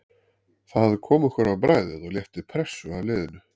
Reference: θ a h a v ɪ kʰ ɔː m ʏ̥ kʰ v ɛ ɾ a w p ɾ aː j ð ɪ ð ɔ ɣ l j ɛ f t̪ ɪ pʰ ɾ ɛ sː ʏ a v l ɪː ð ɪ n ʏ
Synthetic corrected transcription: θ a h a ð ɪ kʰ ɔː m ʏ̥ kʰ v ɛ ɾ a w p ɾ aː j ð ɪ ð ɔ ɣ l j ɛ f t̪ ɪ pʰ ɾ ɛ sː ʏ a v l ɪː ð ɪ n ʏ